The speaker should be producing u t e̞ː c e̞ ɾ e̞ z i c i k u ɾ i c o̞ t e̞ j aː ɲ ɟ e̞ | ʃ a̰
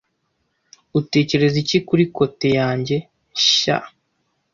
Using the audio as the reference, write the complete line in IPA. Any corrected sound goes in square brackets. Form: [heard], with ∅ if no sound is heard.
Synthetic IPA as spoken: u t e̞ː c e̞ ɾ e̞ z i c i k u ɾ i [k] o̞ t e̞ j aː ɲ ɟ e̞ | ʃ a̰